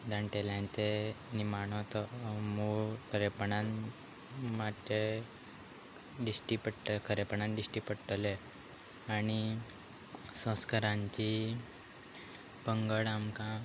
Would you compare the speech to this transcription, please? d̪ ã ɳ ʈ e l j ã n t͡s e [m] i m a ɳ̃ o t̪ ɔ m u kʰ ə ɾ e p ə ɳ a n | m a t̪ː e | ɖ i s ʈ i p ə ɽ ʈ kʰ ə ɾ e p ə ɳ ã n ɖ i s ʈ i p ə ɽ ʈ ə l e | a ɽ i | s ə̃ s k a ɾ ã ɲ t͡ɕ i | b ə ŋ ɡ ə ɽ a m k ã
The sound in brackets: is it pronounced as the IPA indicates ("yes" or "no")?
no